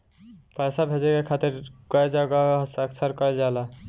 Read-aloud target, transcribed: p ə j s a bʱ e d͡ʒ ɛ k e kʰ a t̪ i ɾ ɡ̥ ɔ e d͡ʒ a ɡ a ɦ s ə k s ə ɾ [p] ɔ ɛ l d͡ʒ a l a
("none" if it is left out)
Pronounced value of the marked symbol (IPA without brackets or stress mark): k